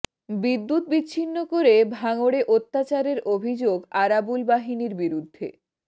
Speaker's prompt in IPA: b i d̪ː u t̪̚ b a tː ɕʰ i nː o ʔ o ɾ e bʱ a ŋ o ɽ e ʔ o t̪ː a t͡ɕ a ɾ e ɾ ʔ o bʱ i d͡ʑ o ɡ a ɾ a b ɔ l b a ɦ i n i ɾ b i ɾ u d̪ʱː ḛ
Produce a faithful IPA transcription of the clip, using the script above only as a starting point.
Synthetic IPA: b i d̪ː u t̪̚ b i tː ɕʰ i nː o k o ɾ e bʱ a ŋ o ɽ e ʔ o t̪ː a t͡ɕ a ɾ e ɾ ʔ o bʱ i d͡ʑ o ɡ a ɾ a b u l b a ɦ i n i ɾ b i ɾ u d̪ʱː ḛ